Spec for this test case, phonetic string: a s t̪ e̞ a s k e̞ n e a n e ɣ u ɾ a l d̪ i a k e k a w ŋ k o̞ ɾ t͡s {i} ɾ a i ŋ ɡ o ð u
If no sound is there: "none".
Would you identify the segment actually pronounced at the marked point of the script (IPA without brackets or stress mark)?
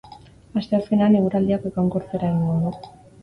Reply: e